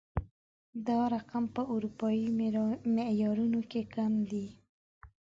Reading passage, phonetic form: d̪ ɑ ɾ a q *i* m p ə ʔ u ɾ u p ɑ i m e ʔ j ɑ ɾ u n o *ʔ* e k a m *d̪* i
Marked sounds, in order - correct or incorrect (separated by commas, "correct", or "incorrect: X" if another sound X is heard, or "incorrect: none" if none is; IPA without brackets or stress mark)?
incorrect: a, incorrect: k, correct